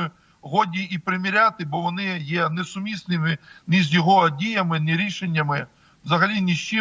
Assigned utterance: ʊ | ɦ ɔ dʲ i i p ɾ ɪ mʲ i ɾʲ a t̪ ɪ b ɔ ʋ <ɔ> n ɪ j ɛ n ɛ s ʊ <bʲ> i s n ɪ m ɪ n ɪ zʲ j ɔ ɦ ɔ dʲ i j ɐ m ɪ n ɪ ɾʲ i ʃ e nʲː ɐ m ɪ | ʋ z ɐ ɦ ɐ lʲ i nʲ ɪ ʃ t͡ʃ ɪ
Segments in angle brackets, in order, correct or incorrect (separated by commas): correct, incorrect